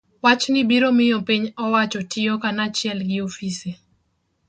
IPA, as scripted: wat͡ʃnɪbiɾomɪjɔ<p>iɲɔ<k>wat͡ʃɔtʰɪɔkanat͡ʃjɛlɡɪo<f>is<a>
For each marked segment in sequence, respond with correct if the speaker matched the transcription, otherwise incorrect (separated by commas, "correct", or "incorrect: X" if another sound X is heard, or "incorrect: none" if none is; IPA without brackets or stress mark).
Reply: correct, incorrect: none, correct, incorrect: e